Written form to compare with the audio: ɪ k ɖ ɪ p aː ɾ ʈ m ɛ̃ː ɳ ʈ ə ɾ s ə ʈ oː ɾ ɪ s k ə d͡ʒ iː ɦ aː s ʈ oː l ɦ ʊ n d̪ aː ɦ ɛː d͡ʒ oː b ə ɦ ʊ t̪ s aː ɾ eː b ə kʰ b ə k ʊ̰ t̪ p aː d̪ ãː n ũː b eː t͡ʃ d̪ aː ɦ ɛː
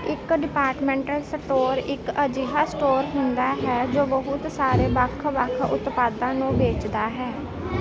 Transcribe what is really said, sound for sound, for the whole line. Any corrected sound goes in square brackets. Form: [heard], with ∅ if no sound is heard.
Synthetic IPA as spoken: ɪ k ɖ ɪ p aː ɾ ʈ m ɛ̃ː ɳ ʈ ə [l] s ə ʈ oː ɾ ɪ [∅] k ə d͡ʒ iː ɦ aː s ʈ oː [ɾ] ɦ ʊ n d̪ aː ɦ ɛː d͡ʒ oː b ə ɦ ʊ t̪ s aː ɾ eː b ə kʰ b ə [kʰ] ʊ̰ t̪ p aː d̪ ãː n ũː b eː t͡ʃ d̪ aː ɦ ɛː